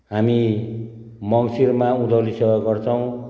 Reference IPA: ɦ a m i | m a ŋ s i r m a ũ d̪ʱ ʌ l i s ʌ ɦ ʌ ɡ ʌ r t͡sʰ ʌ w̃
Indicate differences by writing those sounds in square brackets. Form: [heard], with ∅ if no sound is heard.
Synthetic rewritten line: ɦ a m i | m [ʌ] ŋ s i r m a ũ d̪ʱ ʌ l i s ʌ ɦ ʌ ɡ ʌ r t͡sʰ ʌ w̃